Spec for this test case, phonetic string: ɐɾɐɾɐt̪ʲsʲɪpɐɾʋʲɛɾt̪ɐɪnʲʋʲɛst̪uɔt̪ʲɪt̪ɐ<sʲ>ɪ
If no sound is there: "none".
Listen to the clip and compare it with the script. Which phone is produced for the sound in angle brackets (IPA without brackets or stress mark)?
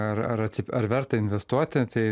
none